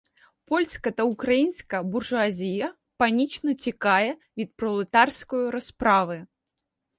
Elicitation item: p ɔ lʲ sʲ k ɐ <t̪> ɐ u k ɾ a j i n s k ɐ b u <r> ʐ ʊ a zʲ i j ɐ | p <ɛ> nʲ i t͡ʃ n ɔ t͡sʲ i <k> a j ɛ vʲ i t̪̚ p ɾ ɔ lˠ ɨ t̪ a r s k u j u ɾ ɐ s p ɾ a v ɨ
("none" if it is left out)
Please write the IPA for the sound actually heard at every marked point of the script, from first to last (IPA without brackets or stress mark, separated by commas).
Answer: t̪, r, a, k